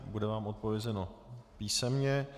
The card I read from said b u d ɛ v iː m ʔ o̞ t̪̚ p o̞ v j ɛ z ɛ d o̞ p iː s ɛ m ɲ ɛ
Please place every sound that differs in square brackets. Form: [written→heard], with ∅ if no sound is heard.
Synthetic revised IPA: b u d ɛ v [iː→aː] m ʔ o̞ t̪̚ p o̞ v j ɛ z ɛ [d→n] o̞ p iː s ɛ m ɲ ɛ